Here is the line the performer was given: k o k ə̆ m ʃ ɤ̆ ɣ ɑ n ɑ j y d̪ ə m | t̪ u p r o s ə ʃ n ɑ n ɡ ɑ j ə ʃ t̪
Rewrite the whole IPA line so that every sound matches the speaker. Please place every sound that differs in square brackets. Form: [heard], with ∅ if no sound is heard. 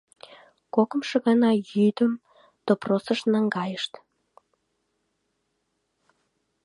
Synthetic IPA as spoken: k o k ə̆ m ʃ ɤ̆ ɣ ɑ n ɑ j y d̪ ə m | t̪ [o] p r o s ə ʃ n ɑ [ŋ] ɡ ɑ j ə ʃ t̪